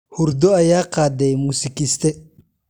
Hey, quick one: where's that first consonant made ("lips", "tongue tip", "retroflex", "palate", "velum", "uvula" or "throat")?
throat